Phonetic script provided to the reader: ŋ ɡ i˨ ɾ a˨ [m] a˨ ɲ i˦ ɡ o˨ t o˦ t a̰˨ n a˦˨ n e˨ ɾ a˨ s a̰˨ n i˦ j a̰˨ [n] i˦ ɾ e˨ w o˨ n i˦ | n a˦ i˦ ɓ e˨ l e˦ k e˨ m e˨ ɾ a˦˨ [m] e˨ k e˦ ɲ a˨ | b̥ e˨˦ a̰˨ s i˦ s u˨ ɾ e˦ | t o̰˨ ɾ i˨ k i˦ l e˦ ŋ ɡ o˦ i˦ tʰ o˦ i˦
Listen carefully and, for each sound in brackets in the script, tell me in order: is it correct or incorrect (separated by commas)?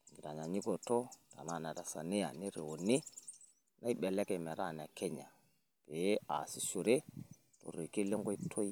incorrect, correct, incorrect